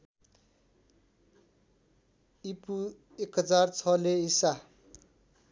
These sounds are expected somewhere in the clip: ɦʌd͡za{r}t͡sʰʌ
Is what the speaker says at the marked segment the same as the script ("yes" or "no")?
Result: yes